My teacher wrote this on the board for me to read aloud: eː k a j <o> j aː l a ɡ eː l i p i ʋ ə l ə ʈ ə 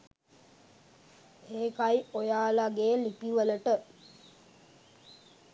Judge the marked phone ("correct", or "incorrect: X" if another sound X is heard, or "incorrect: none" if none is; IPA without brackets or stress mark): correct